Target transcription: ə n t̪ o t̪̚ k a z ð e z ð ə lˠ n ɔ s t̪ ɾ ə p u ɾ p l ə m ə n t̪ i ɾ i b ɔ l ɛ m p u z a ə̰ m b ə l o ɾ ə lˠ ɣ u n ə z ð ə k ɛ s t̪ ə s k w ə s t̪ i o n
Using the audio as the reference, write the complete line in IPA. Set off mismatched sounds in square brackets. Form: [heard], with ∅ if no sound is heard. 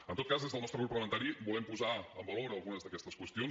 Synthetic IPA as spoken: ə n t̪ o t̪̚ k a z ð e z ð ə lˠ n ɔ s t̪ ɾ ə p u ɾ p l ə m ə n t̪ [a] ɾ i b [u] l ɛ m p u z a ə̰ m b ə l o ɾ ə lˠ ɣ u n ə z ð ə k ɛ s t̪ ə s k w ə s t̪ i o n